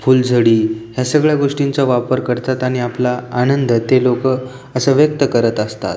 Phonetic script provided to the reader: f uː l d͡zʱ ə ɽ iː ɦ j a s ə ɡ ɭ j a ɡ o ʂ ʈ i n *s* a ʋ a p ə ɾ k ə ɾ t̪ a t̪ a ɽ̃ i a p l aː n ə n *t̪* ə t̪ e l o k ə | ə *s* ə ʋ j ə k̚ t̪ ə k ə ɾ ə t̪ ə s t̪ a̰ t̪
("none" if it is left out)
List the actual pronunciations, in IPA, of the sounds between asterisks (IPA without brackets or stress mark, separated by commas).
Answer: t͡s, d̪, s